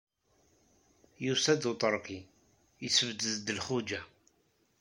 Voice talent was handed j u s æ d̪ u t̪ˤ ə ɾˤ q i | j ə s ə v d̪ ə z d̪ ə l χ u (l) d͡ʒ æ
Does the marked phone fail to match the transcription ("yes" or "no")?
yes